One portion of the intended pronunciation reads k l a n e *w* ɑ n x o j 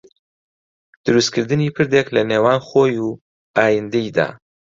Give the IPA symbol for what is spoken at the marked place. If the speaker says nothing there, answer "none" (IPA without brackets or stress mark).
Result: w